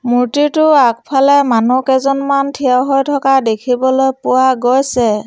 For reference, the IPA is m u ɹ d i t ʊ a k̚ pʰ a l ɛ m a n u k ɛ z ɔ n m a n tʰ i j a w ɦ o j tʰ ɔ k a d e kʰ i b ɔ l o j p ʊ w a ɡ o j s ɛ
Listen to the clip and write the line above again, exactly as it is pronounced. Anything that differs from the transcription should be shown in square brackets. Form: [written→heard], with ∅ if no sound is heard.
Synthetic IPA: m u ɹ [d→t] i t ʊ a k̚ pʰ a l ɛ m a n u k ɛ z ɔ n m a n tʰ i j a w ɦ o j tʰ ɔ k a d e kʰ i b ɔ l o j p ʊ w a ɡ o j s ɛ